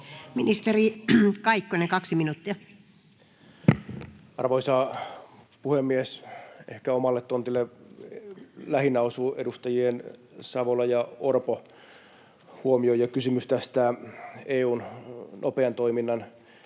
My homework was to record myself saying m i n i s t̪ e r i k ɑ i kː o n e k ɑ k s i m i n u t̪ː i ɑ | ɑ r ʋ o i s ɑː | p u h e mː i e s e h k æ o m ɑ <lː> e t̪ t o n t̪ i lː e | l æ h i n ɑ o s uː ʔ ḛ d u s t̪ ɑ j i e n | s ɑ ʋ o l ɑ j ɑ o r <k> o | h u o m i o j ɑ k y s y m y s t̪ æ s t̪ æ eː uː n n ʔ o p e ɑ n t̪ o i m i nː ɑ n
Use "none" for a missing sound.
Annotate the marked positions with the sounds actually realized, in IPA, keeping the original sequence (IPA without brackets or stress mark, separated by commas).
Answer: lː, p